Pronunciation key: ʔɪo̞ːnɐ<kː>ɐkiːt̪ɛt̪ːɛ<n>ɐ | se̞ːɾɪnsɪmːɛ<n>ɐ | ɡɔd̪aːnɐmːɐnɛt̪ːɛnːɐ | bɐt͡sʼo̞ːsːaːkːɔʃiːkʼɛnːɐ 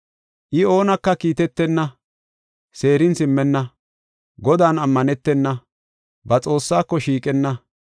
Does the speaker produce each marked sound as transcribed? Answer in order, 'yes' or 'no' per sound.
yes, no, no

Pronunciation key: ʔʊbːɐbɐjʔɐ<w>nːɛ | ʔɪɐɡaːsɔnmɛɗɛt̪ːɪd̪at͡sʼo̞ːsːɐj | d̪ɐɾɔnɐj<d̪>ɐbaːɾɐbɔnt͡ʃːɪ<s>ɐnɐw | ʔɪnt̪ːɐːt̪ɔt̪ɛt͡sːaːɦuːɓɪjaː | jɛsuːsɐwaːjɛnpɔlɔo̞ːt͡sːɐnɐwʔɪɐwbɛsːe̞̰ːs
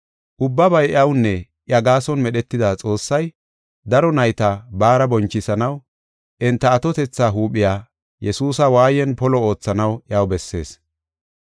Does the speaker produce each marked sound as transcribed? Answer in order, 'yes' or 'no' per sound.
yes, no, yes

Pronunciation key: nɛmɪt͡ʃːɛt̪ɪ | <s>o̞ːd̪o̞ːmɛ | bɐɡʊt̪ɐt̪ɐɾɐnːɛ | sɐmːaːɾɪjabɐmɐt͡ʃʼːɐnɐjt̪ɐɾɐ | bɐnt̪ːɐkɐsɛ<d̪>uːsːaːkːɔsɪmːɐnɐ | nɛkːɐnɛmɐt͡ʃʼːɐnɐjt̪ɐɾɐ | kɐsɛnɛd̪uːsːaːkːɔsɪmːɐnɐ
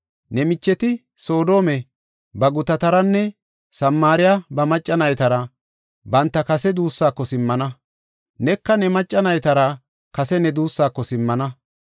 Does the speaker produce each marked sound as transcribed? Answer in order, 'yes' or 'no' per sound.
yes, yes

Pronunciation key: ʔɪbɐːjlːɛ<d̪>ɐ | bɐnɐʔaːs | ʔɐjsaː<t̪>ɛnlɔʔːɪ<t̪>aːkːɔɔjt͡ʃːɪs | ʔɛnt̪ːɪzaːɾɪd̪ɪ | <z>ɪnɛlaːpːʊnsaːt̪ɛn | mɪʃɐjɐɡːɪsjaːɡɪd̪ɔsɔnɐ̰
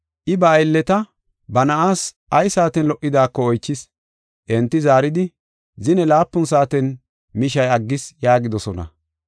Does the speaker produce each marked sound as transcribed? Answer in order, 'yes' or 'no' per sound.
no, yes, no, yes

